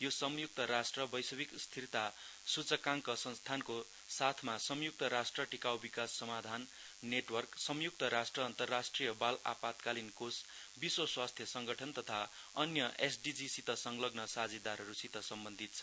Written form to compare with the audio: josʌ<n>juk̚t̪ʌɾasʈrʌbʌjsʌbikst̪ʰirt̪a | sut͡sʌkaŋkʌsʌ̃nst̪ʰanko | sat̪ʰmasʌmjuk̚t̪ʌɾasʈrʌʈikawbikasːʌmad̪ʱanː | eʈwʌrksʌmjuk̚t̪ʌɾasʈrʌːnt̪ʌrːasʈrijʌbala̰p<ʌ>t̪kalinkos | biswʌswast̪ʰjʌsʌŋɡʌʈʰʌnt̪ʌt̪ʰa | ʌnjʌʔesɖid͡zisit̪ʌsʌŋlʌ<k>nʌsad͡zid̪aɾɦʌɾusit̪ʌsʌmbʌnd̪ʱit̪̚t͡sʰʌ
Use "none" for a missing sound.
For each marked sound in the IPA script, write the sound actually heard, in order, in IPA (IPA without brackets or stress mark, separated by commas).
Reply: m, a, ɡ